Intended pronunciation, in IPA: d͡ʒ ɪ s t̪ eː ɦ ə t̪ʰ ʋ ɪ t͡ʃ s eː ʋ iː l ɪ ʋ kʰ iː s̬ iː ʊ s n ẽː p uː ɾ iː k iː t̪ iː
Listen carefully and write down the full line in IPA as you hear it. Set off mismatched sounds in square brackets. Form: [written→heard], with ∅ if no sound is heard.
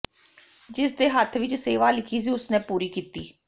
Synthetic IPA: d͡ʒ ɪ s [t̪→d̪] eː ɦ ə t̪ʰ ʋ ɪ t͡ʃ s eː ʋ [iː→aː] l ɪ [ʋ→∅] kʰ iː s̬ iː ʊ s n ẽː p uː ɾ iː k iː t̪ iː